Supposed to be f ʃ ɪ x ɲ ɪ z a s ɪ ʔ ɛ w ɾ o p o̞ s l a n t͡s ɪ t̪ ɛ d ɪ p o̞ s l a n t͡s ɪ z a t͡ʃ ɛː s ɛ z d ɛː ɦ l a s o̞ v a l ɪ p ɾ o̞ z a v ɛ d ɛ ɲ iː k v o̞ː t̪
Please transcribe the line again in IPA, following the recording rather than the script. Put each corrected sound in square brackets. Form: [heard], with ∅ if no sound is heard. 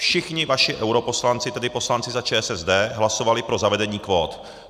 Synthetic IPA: f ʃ ɪ x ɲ ɪ [v] a [ʃ] ɪ ʔ ɛ w ɾ o p o̞ s l a n t͡s ɪ t̪ ɛ d ɪ p o̞ s l a n t͡s ɪ z a t͡ʃ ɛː s ɛ z d ɛː ɦ l a s o̞ v a l ɪ p ɾ o̞ z a v ɛ d ɛ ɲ iː k v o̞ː t̪